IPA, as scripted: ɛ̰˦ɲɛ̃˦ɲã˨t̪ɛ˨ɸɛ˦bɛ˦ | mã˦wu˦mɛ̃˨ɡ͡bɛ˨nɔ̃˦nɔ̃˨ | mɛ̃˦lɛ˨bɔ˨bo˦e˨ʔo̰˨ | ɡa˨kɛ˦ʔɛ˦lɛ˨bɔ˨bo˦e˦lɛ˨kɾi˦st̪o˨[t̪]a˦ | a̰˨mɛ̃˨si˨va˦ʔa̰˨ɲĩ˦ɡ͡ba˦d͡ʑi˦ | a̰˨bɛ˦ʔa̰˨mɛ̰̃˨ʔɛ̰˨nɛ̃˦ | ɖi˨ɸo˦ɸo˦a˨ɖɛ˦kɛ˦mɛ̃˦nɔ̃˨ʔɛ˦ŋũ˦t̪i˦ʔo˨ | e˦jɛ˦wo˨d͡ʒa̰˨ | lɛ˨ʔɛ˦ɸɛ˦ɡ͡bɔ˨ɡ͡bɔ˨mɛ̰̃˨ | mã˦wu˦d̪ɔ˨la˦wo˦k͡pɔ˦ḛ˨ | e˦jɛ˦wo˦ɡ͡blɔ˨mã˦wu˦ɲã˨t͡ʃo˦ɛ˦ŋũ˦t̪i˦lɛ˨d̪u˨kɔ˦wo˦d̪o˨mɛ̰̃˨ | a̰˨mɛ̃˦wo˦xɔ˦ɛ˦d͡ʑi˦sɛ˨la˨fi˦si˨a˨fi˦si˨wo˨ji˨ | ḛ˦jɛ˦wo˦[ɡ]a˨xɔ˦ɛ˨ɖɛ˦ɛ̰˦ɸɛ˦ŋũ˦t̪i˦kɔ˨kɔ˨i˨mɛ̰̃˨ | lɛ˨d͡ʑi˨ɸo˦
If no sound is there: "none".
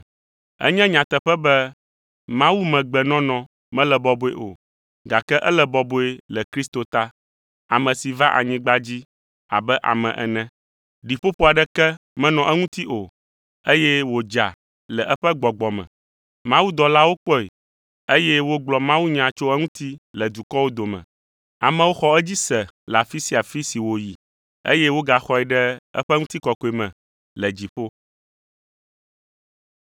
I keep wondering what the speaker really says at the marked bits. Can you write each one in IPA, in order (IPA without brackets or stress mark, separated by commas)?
t̪, ɡ